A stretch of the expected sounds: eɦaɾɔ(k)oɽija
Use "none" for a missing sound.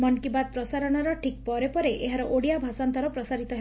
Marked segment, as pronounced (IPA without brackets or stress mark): ʔ